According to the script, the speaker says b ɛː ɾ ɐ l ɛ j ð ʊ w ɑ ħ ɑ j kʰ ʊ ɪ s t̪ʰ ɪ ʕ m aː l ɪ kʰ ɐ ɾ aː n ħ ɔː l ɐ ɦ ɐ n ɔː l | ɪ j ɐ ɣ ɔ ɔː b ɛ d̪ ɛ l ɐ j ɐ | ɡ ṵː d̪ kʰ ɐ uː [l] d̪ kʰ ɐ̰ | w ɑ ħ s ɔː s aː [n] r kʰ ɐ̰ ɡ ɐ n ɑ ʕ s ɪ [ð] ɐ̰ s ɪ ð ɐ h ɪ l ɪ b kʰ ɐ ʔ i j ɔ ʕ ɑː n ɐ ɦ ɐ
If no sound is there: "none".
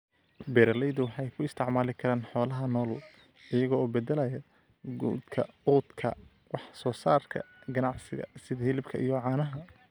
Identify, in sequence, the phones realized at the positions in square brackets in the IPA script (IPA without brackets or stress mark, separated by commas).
none, none, ɣ